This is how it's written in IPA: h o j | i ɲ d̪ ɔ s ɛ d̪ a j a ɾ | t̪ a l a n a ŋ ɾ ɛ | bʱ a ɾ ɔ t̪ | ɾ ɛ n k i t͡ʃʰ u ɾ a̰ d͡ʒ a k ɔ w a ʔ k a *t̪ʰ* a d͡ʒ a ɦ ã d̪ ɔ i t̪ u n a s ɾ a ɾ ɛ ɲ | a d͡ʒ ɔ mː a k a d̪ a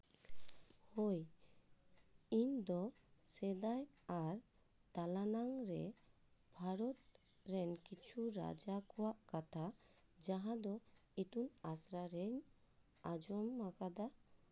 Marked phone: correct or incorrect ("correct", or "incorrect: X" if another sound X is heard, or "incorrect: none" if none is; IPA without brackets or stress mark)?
correct